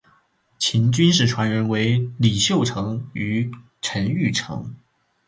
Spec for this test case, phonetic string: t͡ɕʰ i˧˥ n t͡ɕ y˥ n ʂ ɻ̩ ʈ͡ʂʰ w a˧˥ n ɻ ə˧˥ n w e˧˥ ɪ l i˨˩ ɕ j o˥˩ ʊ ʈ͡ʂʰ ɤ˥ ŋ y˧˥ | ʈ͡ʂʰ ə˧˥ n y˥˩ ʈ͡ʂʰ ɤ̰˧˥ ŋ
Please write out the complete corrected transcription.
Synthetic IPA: t͡ɕʰ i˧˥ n t͡ɕ y˥ n ʂ ɻ̩ ʈ͡ʂʰ w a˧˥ n ɻ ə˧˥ n w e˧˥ ɪ l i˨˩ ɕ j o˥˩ ʊ ʈ͡ʂʰ ɤ˧˥ ŋ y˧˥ | ʈ͡ʂʰ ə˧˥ n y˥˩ ʈ͡ʂʰ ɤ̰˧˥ ŋ